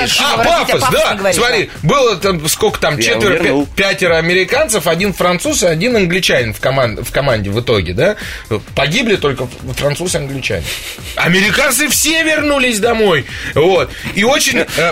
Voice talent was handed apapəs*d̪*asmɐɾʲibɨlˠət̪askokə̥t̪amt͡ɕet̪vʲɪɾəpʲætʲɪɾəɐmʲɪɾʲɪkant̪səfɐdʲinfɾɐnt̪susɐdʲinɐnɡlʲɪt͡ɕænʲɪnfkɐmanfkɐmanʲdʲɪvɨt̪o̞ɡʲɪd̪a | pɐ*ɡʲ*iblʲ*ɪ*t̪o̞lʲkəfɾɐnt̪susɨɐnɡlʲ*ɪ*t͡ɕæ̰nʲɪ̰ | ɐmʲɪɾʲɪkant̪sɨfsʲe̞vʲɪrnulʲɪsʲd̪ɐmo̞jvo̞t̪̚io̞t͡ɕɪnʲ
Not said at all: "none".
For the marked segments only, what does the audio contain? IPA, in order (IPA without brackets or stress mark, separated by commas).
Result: d̪, ɡʲ, ɪ, ɪ